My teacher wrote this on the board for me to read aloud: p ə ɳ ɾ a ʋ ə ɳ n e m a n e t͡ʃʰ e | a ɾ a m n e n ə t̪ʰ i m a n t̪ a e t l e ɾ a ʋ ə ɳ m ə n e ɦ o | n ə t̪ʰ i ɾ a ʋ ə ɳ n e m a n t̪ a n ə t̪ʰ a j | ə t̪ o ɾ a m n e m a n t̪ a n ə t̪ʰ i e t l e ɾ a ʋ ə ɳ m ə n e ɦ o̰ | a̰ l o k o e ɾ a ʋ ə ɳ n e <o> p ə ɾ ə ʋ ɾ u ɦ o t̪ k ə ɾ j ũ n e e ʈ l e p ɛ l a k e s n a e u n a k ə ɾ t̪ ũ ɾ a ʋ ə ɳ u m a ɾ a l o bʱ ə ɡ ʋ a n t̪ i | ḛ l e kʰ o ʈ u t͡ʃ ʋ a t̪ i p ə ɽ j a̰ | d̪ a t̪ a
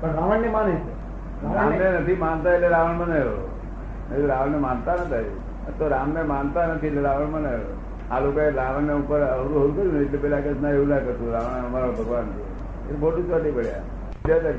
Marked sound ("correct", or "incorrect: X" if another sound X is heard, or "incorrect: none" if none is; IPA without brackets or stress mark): incorrect: u